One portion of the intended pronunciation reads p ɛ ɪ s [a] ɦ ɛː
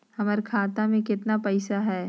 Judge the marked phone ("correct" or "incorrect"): correct